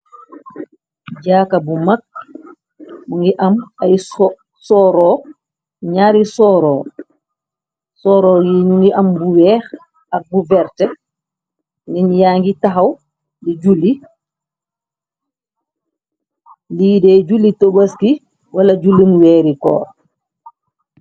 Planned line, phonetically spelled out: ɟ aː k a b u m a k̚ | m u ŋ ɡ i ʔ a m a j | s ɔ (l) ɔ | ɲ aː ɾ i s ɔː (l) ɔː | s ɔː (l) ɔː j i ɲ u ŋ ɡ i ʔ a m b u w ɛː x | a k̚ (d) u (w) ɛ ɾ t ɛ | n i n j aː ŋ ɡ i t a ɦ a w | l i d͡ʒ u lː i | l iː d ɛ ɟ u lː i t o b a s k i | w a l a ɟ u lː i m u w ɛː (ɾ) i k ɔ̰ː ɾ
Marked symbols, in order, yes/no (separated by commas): no, no, no, no, no, yes